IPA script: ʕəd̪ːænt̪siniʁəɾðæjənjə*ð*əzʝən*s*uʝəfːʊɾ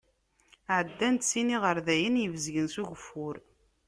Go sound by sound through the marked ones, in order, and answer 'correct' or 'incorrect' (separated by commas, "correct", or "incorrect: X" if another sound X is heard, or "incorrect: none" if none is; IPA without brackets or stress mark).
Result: incorrect: v, correct